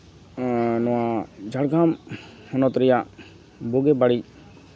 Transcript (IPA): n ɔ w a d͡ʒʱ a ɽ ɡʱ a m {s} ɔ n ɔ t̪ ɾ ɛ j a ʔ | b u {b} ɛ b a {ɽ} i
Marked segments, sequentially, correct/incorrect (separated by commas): incorrect, incorrect, correct